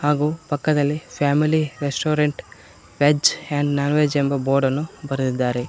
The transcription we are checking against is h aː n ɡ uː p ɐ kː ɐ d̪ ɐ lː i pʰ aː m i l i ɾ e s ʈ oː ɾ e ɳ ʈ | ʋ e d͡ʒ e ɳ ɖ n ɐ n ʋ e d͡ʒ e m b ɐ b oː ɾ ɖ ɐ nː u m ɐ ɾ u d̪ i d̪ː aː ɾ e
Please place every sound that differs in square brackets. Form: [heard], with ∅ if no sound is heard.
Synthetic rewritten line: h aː [∅] ɡ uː p ɐ kː ɐ d̪ ɐ lː i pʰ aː m i l i ɾ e s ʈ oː ɾ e ɳ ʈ | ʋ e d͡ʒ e ɳ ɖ n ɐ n ʋ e d͡ʒ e m b ɐ b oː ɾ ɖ ɐ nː u [b] ɐ ɾ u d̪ i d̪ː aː ɾ e